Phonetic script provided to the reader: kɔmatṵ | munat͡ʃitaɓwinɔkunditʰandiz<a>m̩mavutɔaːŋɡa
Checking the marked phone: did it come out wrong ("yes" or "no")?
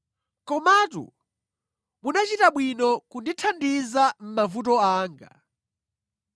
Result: no